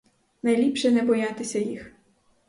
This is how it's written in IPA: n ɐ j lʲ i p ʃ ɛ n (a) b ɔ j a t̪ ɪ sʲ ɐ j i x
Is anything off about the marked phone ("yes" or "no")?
yes